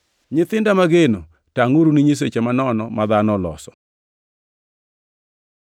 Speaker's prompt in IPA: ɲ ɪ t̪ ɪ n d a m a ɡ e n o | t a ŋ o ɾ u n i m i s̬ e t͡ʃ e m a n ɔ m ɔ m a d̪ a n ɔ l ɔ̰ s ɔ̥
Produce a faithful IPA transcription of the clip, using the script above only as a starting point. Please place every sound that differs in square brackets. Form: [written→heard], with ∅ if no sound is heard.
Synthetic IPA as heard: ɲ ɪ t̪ ɪ n d a m a ɡ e n o | t a ŋ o ɾ u n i [m→ɲ] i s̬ e t͡ʃ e m a n ɔ [m→n] ɔ m a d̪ a n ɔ l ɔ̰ s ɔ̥